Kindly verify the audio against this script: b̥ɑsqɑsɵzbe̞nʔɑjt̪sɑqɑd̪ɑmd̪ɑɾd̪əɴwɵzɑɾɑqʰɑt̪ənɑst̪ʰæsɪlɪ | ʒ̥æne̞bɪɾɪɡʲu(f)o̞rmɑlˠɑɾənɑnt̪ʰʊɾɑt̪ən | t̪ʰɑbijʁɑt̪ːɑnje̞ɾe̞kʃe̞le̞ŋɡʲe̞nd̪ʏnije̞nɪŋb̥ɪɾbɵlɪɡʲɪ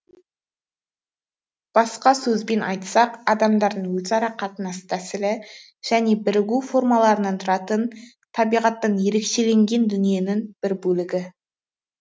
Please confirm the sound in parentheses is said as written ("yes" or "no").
yes